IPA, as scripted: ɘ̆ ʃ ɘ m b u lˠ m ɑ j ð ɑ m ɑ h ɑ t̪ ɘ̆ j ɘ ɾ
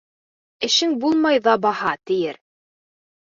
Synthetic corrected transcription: ɘ̆ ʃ ɘ ŋ b u lˠ m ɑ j ð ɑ b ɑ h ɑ t̪ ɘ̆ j ɘ ɾ